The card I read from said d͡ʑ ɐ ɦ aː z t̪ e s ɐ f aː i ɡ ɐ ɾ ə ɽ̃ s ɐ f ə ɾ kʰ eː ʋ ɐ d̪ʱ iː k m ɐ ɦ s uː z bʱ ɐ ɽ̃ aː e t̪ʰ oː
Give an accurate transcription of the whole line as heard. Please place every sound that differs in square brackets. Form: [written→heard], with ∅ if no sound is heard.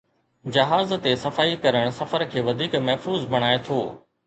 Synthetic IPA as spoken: d͡ʑ ɐ ɦ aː z t̪ e s ɐ f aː i [ɡ→k] ɐ ɾ ə ɽ̃ s ɐ f ə ɾ kʰ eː ʋ ɐ d̪ʱ iː k m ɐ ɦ [s→f] uː z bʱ ɐ ɽ̃ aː e t̪ʰ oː